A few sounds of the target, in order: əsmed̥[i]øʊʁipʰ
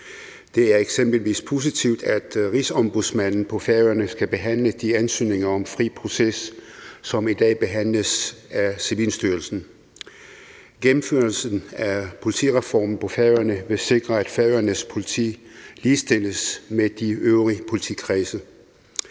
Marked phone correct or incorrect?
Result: correct